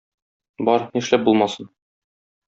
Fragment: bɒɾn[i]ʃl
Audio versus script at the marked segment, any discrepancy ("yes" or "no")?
no